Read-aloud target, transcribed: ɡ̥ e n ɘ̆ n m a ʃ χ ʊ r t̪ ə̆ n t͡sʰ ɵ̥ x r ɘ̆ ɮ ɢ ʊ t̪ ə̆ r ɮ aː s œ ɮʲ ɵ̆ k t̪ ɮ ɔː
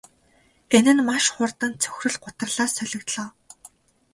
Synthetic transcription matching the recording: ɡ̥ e n ɘ̆ n m a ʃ χ ʊ r t̪ ə̆ n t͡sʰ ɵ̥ x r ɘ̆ ɮ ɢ ʊ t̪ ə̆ r ɮ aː s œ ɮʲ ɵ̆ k t̪ ɮ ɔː